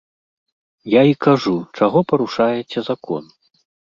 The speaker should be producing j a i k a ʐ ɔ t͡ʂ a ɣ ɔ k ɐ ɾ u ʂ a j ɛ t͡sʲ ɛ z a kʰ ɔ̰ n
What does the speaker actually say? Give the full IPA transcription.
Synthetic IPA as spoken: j a i k a ʐ u t͡ʂ a ɣ ɔ p ɐ ɾ u ʂ a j ɛ t͡sʲ ɛ z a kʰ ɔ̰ n